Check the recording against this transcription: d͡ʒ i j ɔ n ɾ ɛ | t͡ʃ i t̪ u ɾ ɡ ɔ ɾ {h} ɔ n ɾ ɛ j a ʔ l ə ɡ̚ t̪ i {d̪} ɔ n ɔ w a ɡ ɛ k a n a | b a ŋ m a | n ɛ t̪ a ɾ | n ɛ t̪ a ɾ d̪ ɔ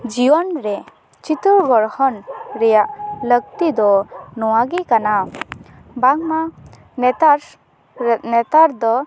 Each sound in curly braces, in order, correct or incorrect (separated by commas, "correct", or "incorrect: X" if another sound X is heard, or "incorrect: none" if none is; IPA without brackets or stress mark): correct, correct